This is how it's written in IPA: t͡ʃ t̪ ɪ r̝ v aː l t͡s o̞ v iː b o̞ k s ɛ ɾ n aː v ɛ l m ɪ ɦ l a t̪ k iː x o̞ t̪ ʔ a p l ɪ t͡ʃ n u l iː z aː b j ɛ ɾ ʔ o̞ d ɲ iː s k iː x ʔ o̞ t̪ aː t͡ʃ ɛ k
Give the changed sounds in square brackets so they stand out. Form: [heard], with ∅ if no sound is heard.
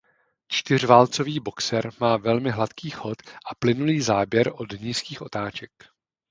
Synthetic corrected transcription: t͡ʃ t̪ ɪ r̝ v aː l t͡s o̞ v iː b o̞ k s ɛ ɾ [m] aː v ɛ l m ɪ ɦ l a t̪ k iː x o̞ t̪ ʔ a p l ɪ [∅] n u l iː z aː b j ɛ ɾ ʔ o̞ d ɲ iː s k iː x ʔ o̞ t̪ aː t͡ʃ ɛ k